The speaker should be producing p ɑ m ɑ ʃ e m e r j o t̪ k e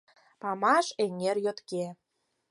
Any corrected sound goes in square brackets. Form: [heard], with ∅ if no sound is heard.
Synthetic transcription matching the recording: p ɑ m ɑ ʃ e [ŋ] e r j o t̪ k e